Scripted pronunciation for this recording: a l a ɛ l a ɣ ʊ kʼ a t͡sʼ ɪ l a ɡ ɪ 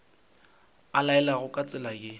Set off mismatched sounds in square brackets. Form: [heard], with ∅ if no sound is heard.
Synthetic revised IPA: a l a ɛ l a ɣ ʊ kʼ a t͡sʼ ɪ l a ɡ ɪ